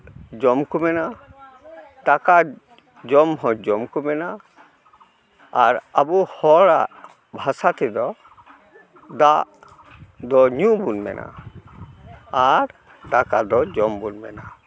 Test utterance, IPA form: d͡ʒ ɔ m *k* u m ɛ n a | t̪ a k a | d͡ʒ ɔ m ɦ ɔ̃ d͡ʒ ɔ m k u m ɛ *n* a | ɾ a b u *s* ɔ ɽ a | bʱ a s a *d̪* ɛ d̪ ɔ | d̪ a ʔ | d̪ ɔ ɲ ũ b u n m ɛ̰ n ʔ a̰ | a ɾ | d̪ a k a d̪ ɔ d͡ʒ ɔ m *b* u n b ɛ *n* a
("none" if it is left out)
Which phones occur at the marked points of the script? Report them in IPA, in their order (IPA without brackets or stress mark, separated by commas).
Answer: k, n, h, t̪, b, n